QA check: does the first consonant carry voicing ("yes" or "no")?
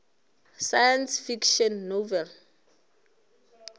no